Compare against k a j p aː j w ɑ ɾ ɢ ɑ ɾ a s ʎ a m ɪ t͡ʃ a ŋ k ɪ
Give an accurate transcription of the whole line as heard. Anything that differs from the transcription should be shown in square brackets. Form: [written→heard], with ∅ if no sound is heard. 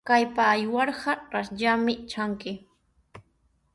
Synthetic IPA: k a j p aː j w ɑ ɾ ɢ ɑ ɾ a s ʎ a m ɪ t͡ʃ a ŋ k ɪ